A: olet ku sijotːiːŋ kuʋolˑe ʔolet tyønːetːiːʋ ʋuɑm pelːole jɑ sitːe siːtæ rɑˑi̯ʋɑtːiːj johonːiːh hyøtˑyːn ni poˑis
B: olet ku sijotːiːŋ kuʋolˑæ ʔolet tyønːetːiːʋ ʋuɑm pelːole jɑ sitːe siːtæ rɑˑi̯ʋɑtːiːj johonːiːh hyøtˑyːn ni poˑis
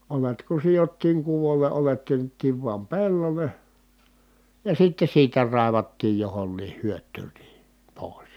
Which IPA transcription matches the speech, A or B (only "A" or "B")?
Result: A